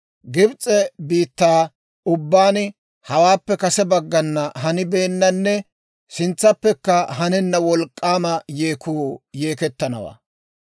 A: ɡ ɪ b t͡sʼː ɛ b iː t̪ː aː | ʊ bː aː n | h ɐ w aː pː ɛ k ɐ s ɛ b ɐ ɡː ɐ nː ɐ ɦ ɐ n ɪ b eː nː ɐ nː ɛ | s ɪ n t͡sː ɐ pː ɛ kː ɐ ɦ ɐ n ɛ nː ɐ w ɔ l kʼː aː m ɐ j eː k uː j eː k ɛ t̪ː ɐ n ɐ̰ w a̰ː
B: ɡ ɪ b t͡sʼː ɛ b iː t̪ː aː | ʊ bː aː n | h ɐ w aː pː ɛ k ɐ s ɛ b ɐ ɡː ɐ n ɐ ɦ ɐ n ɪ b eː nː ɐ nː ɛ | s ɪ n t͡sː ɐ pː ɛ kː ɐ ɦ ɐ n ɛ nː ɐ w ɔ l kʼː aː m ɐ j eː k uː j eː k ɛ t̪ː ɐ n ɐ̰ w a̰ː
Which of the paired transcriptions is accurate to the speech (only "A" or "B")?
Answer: A